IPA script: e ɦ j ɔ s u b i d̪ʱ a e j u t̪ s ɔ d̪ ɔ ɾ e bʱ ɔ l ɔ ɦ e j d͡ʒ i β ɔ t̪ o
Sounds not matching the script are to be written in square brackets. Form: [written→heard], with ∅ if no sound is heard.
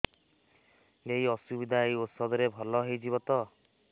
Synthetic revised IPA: e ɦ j ɔ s u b i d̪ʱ a e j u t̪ s ɔ d̪ ɔ ɾ e bʱ ɔ l ɔ ɦ e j d͡ʒ i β ɔ t̪ [o→ɔ]